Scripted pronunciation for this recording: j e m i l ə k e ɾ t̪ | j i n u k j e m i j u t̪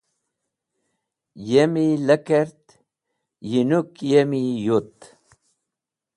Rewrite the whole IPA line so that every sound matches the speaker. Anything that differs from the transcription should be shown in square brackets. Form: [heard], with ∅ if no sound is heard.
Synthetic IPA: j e m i l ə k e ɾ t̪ | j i n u k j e m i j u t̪